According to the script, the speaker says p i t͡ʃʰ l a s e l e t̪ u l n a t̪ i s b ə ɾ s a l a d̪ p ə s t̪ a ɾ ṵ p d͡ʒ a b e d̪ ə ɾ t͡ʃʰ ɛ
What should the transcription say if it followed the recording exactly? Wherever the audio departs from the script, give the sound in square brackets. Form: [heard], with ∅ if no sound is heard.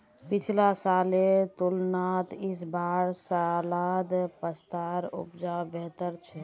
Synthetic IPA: p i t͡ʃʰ l a s [a] l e t̪ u l n a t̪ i s b [a] ɾ s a l a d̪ p ə s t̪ a ɾ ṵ p d͡ʒ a b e [t̪] ə ɾ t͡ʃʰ ɛ